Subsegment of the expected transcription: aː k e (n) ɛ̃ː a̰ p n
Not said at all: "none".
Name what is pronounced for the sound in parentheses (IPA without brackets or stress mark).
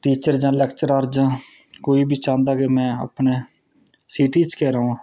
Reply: m